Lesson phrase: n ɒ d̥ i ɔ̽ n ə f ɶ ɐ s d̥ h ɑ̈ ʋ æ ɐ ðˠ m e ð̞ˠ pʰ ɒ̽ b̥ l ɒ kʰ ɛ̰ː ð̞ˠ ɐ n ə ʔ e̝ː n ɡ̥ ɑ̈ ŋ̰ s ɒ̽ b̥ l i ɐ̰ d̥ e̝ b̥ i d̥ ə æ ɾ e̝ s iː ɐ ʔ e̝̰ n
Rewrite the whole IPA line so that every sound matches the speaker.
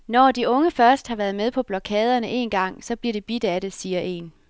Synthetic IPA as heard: n ɒ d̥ i ɔ̽ ŋ ə f ɶ ɐ s d̥ h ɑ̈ ʋ æ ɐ ðˠ m e ð̞ˠ pʰ ɒ̽ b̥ l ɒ kʰ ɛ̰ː ð̞ˠ ɐ n ə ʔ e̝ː n ɡ̥ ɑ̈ ŋ̰ s ɒ̽ b̥ l i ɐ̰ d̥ e̝ b̥ i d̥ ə æ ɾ e̝ s iː ɐ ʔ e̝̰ n